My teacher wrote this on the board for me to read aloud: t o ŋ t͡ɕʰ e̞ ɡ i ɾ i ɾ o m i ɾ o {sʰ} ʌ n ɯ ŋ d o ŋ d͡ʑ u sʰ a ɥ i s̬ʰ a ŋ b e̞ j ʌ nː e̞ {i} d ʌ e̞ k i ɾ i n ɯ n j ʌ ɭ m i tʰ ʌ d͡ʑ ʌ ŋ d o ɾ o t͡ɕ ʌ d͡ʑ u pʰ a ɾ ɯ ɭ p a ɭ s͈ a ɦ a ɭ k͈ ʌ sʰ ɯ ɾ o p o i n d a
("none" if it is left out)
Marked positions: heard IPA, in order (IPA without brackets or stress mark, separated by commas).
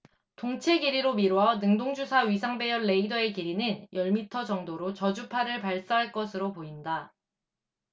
none, i